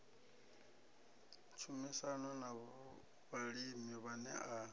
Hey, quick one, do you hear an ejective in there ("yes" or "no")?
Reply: no